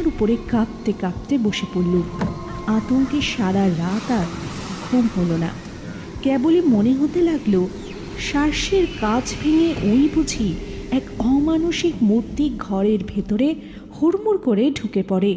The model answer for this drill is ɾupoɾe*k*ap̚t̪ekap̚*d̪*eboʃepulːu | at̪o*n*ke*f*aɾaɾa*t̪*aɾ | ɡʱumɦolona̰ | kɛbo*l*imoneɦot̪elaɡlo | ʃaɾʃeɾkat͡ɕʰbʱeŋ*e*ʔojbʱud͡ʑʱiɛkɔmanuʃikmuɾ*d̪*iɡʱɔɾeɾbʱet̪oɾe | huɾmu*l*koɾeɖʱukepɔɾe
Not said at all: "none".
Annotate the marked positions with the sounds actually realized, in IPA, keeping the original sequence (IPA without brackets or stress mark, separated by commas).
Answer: k, t̪, ŋ, ʃ, t̪, l, e, t̪, ɾ